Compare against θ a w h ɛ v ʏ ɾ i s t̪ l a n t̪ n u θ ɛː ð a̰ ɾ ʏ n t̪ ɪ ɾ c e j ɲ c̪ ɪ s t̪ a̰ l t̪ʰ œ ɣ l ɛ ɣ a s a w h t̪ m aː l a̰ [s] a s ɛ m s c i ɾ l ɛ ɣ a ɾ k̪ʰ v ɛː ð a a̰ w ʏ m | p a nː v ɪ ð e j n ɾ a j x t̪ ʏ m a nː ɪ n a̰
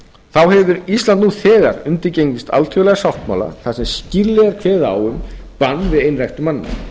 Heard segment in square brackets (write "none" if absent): θ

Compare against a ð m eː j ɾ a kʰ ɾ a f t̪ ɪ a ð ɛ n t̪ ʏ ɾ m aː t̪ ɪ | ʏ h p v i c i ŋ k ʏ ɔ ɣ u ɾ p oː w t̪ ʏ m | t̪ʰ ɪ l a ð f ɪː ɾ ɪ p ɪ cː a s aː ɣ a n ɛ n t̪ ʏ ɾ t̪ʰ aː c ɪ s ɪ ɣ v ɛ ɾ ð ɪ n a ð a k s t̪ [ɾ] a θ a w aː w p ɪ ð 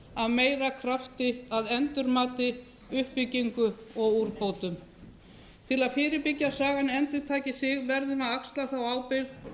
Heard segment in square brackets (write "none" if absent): l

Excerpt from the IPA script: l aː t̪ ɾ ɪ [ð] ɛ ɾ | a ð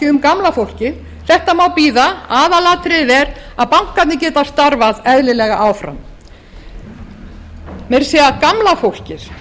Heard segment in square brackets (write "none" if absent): ð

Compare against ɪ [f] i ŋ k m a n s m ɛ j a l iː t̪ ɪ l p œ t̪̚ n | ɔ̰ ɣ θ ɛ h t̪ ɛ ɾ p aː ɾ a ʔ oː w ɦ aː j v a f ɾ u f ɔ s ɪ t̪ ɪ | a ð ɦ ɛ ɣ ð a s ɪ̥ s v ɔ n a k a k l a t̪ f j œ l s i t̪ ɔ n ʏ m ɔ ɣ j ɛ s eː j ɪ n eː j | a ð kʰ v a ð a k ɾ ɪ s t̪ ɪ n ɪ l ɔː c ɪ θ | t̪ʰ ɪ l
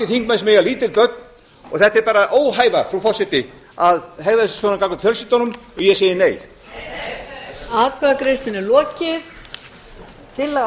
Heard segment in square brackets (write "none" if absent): θ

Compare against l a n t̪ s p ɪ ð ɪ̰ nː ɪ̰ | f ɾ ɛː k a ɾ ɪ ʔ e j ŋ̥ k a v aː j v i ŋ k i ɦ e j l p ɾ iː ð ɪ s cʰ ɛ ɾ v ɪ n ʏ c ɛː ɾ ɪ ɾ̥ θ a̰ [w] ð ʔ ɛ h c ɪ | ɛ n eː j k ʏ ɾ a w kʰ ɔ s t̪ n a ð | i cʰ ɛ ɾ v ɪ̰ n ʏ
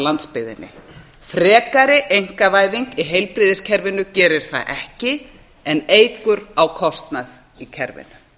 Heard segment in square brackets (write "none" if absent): none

